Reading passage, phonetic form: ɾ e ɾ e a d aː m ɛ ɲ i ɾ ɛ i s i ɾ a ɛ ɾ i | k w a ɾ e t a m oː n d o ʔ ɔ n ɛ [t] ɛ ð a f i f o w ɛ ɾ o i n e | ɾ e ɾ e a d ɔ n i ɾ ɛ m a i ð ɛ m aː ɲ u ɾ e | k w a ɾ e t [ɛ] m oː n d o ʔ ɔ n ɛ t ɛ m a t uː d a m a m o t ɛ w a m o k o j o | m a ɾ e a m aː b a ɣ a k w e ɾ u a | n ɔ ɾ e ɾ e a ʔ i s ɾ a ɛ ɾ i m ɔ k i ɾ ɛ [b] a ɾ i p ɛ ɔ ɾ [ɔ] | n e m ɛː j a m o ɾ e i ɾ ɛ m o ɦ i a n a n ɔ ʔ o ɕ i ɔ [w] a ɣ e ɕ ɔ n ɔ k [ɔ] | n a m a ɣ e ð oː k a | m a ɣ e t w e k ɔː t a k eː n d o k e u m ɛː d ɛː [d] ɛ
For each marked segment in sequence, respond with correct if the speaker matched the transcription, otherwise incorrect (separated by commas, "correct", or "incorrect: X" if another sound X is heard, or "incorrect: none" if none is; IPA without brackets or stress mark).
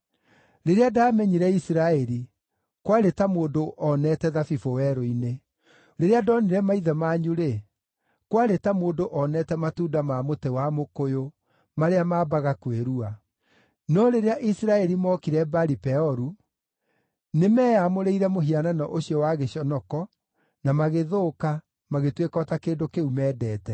correct, incorrect: a, correct, incorrect: u, correct, correct, incorrect: t